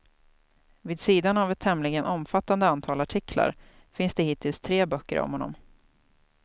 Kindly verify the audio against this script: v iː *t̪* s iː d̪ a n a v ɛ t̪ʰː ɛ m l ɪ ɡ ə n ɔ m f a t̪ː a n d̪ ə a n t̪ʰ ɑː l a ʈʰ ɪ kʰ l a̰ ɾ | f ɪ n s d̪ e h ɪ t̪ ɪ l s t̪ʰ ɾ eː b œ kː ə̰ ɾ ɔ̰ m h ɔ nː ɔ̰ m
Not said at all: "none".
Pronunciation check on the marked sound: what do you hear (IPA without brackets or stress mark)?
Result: d̪